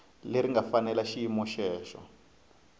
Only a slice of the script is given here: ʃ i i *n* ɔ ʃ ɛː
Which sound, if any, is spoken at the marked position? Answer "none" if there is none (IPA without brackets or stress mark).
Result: m